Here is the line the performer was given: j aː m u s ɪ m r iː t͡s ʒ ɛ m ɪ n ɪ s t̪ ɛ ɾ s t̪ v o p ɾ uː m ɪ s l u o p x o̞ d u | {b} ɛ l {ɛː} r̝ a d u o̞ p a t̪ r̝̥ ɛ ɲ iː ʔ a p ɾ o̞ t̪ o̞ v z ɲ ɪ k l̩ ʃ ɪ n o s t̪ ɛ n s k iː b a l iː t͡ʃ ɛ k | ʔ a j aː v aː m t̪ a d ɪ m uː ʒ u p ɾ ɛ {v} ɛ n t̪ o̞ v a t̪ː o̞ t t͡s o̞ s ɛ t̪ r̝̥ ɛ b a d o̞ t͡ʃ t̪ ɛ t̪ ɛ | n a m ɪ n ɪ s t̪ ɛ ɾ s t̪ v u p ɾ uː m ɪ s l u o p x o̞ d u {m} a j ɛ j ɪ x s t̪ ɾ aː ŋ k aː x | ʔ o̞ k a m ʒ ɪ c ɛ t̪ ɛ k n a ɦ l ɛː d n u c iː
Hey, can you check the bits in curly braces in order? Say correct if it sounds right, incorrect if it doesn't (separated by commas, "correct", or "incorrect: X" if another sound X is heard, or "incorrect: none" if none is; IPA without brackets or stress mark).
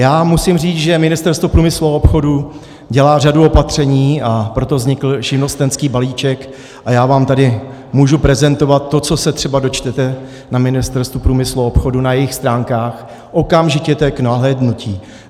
incorrect: ɟ, incorrect: aː, incorrect: z, incorrect: n